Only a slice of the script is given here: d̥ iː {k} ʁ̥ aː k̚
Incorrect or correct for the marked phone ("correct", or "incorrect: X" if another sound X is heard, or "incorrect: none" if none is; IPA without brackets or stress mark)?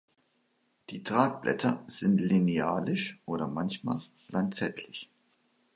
incorrect: t